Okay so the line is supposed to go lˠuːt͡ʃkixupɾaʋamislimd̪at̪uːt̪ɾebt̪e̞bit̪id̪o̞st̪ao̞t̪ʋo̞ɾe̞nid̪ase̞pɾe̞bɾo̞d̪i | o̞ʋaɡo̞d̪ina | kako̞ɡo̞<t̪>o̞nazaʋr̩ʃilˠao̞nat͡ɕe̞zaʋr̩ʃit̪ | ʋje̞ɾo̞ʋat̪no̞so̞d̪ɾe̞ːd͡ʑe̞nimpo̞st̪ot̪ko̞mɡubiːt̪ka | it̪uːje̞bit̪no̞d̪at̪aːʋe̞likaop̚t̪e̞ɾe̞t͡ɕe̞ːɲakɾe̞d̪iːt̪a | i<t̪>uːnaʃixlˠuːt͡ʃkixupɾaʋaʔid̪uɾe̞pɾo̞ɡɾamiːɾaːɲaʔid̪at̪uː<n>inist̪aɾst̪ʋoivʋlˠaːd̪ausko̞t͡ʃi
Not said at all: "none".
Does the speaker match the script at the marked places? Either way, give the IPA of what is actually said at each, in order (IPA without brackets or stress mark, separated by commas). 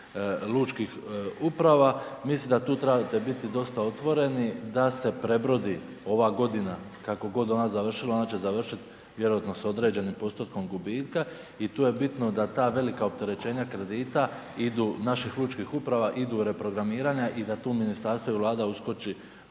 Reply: d̪, d̪, m